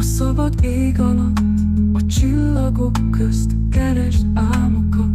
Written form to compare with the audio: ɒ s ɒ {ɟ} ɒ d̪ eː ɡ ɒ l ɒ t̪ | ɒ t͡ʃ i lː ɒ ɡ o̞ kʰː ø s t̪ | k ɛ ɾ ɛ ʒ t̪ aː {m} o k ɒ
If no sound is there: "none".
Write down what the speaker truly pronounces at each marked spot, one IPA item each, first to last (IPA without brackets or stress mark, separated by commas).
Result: b, m